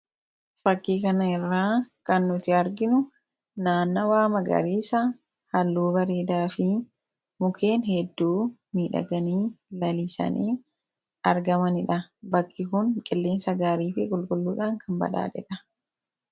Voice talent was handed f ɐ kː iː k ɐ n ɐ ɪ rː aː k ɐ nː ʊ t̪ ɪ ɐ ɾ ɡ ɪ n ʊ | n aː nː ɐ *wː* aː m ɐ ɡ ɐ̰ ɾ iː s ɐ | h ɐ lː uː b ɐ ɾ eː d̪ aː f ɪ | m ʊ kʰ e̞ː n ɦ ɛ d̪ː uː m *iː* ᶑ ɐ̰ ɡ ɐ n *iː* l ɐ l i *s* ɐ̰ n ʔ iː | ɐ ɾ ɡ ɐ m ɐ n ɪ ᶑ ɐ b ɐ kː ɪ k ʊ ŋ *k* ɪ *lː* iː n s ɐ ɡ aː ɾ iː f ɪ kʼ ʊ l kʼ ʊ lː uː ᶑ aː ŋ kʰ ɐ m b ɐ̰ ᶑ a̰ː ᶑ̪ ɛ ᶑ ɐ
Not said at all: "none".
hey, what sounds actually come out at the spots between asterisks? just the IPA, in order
w, iː, iː, s, kʼ, lː

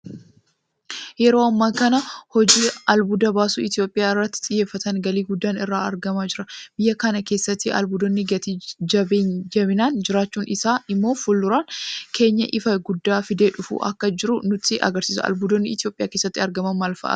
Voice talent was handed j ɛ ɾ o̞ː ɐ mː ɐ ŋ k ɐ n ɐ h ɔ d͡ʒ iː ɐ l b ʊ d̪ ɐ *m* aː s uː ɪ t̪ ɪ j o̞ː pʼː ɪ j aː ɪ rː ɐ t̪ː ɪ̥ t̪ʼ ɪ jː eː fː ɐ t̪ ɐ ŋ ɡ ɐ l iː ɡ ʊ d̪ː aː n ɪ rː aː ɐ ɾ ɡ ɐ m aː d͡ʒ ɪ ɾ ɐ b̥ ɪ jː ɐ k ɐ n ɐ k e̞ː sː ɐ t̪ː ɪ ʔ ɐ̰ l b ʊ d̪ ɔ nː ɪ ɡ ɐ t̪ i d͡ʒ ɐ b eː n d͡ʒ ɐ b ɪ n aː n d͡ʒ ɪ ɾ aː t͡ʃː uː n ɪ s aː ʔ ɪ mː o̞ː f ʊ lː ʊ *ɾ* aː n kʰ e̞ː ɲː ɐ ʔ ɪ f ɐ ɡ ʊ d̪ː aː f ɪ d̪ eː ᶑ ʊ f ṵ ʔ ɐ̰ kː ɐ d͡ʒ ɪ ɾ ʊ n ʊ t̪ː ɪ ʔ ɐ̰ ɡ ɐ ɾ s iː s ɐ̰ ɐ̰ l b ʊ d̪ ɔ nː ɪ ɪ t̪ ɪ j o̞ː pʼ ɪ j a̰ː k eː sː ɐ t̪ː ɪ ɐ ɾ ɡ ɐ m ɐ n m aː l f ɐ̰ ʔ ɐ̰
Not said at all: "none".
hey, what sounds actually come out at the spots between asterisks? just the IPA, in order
b, ɾ

